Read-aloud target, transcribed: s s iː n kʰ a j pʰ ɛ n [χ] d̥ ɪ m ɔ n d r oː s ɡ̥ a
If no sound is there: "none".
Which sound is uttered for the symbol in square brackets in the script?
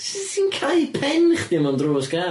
χ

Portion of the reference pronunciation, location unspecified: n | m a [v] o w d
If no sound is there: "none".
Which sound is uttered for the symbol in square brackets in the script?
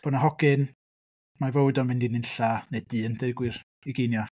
v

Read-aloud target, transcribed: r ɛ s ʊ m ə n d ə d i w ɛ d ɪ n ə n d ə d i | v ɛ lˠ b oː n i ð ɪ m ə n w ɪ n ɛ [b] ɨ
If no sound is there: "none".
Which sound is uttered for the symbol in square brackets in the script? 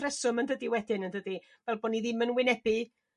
b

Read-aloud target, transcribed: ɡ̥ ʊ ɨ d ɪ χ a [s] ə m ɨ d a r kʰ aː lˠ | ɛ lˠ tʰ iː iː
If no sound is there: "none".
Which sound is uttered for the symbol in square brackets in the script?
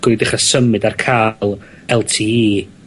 s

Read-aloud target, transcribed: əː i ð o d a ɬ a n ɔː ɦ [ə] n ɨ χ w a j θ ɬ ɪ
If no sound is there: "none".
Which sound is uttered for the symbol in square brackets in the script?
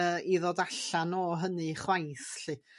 ə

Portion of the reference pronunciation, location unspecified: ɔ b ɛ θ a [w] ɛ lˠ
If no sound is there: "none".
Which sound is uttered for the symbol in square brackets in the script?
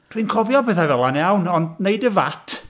v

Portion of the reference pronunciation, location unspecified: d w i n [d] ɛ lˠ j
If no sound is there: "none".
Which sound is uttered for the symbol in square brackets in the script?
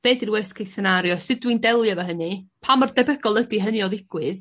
d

